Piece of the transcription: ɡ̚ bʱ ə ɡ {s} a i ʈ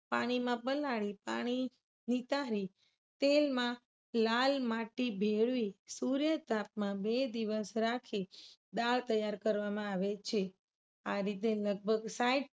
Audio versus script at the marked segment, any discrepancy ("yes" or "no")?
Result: no